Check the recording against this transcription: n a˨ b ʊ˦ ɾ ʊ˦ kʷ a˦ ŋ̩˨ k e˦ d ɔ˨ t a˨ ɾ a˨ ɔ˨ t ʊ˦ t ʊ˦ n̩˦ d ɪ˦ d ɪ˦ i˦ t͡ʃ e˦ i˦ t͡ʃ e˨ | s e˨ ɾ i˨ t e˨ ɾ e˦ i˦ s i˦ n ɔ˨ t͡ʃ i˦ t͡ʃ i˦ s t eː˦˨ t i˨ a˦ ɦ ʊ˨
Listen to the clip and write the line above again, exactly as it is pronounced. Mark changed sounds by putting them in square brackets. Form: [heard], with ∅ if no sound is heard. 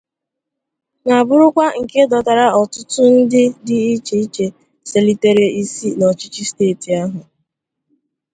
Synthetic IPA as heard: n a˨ b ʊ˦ ɾ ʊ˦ kʷ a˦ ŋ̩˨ k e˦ d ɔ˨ t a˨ ɾ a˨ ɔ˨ t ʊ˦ t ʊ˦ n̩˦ d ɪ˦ d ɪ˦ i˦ t͡ʃ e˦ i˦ t͡ʃ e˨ | s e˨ [l] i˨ t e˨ ɾ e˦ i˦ s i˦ n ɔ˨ t͡ʃ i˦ t͡ʃ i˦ s t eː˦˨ t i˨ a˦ ɦ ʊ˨